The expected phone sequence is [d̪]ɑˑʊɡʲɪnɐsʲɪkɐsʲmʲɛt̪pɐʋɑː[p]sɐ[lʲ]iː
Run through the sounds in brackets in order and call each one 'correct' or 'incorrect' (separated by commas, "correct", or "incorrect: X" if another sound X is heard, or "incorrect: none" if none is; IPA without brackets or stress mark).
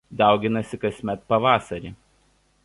correct, incorrect: none, incorrect: ɾʲ